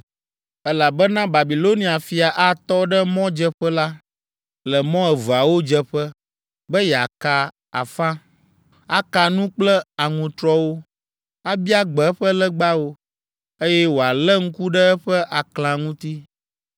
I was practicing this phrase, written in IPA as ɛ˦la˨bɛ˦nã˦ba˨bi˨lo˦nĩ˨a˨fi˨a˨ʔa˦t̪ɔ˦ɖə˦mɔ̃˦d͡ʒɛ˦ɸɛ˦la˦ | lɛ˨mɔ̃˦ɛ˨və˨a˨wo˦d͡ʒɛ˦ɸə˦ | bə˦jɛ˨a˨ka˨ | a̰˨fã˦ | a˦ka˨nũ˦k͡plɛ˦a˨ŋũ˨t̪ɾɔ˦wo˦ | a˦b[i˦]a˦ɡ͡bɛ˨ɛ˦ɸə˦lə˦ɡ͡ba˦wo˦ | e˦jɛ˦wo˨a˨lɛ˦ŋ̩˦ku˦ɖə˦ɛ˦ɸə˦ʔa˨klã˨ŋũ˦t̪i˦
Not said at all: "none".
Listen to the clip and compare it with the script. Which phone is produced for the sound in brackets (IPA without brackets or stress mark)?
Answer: i˦